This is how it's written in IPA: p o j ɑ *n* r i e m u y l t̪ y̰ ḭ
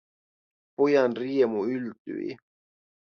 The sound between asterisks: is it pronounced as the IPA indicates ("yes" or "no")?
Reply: yes